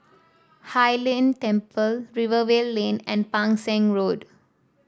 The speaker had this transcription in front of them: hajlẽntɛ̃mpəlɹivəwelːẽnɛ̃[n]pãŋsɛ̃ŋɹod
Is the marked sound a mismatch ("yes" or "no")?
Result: no